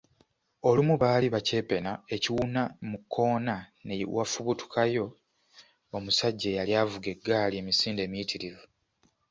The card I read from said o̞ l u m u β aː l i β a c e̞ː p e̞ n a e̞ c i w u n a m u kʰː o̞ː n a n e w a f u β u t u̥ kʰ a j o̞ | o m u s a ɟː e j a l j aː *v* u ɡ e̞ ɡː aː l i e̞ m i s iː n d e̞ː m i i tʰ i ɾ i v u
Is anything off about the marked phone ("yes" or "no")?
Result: no